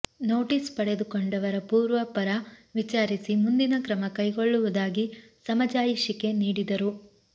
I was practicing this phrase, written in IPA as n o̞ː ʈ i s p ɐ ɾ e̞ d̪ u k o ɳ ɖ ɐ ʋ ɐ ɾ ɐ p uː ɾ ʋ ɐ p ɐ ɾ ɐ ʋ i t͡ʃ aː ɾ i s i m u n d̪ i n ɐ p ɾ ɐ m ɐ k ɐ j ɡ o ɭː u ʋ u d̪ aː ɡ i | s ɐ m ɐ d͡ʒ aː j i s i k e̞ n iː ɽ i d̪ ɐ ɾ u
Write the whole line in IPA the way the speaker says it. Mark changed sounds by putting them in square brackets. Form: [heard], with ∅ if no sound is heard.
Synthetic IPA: n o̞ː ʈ i s p ɐ [ɽ] e̞ d̪ u k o ɳ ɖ ɐ ʋ ɐ ɾ ɐ p uː ɾ ʋ ɐ p ɐ ɾ ɐ ʋ i t͡ʃ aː ɾ i s i m u n d̪ i n ɐ [k] ɾ ɐ m ɐ k ɐ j ɡ o ɭː u ʋ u d̪ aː ɡ i | s ɐ m ɐ d͡ʒ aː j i [ʃ] i k e̞ n iː ɽ i d̪ ɐ ɾ u